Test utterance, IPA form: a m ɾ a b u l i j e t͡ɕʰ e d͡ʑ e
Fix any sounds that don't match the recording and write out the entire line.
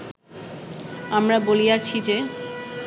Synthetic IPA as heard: a m ɾ a b o l i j a t͡ɕʰ i d͡ʑ e